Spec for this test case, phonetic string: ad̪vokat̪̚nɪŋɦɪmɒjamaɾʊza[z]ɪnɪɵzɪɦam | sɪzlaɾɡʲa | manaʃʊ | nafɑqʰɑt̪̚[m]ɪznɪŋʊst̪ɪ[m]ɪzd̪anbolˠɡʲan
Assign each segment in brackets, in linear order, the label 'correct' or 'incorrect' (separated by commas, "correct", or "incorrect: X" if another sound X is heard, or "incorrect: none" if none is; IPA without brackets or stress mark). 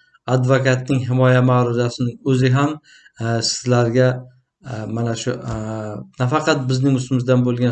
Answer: incorrect: s, incorrect: b, correct